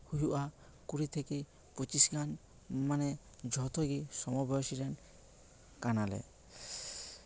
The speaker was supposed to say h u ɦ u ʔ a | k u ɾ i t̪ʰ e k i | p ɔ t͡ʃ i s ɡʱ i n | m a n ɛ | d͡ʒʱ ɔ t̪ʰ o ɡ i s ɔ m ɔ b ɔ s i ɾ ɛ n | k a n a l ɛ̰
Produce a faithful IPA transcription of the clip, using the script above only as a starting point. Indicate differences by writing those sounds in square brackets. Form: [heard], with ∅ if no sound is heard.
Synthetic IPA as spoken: h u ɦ u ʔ a | k u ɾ i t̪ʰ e k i | p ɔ t͡ʃ i s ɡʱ [a] n | m a n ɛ | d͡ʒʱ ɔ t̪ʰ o ɡ i s ɔ m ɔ b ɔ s i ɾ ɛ n | k a n a l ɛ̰

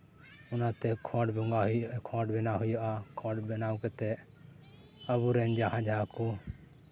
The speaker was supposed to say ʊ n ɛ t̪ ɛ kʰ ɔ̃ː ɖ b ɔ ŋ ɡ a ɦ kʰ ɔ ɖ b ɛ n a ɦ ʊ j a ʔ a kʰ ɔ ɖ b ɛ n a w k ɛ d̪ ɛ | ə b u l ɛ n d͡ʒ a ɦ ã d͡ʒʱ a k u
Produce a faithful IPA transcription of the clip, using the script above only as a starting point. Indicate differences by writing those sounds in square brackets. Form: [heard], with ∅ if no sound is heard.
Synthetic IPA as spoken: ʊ n [a] t̪ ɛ kʰ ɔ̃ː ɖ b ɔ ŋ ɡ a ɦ kʰ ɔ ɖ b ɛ n a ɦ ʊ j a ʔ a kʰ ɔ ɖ b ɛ n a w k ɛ [t̪] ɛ | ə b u [ɾ] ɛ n d͡ʒ a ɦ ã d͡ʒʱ a k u

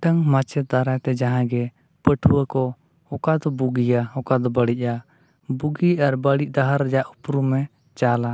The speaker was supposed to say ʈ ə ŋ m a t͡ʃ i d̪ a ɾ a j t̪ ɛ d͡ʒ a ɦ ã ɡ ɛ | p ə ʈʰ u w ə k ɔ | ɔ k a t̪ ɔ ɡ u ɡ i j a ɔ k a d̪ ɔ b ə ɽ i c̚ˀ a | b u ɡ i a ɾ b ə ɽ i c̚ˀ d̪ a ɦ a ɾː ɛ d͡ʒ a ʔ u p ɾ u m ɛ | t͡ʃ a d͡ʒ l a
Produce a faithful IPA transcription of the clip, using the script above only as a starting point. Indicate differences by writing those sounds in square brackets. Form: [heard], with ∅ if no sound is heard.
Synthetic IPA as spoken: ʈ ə ŋ m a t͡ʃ [ɛ] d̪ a ɾ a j t̪ ɛ d͡ʒ a ɦ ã ɡ ɛ | p ə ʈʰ u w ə k ɔ | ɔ k a [d̪] ɔ [b] u ɡ i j a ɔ k a d̪ ɔ b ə ɽ i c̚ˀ a | b u ɡ i a ɾ b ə ɽ i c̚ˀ d̪ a ɦ a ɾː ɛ d͡ʒ a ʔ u p ɾ u m ɛ | t͡ʃ a [∅] l a

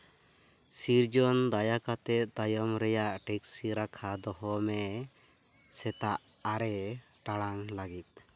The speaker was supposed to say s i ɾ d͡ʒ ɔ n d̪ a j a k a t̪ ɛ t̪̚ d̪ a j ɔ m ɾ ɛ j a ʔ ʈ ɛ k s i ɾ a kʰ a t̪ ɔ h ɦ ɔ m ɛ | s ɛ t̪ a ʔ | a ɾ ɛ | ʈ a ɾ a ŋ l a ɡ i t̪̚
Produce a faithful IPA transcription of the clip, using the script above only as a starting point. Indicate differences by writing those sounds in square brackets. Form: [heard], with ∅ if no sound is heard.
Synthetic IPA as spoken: s i ɾ d͡ʒ ɔ n d̪ a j a k a t̪ ɛ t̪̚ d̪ a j ɔ m ɾ ɛ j a ʔ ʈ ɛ k s i ɾ a kʰ a [d̪] ɔ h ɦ ɔ m ɛ | s ɛ t̪ a ʔ | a ɾ ɛ | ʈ a [ɽ] a ŋ l a ɡ i t̪̚

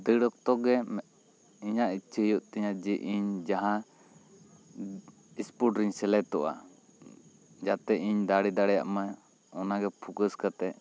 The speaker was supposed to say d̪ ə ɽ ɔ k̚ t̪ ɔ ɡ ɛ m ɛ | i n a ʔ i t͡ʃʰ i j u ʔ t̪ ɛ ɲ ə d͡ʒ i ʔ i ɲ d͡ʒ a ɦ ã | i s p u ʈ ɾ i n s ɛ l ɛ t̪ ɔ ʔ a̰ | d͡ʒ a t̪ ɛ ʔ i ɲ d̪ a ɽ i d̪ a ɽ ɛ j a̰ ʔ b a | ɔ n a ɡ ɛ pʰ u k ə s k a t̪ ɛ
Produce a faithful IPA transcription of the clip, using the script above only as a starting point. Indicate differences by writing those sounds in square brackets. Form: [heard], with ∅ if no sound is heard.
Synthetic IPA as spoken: d̪ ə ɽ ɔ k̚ t̪ ɔ ɡ ɛ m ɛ | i [ɲ] a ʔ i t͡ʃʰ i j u ʔ t̪ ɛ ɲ [a] d͡ʒ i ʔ i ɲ d͡ʒ a ɦ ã | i s p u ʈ ɾ i [ɲ] s ɛ l ɛ t̪ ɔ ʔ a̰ | d͡ʒ a t̪ ɛ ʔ i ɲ d̪ a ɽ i d̪ a ɽ ɛ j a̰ ʔ [m] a | ɔ n a ɡ ɛ pʰ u k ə s k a t̪ ɛ

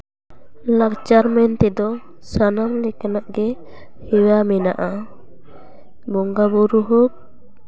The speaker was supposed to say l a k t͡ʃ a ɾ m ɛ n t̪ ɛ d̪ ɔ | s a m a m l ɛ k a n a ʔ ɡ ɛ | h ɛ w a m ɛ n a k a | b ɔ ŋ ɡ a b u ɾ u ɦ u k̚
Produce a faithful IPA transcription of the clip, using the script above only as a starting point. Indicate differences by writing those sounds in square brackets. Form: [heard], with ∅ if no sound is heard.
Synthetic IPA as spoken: l a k t͡ʃ a ɾ m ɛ n t̪ ɛ d̪ ɔ | s a [n] a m l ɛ k a n a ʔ ɡ ɛ | h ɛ w a m ɛ n a [ʔ] a | b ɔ ŋ ɡ a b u ɾ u ɦ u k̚

